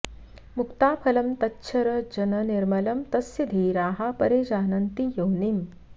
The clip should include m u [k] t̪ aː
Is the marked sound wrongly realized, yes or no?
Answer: no